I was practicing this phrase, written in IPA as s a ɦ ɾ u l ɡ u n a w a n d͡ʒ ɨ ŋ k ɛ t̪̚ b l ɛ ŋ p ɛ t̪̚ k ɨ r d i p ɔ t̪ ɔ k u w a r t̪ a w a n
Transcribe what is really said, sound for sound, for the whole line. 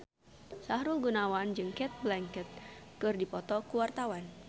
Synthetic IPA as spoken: s a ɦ ɾ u l ɡ u n a w a n d͡ʒ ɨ ŋ k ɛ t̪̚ b l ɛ ŋ k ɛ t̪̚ k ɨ r d i p ɔ t̪ ɔ k u w a r t̪ a w a n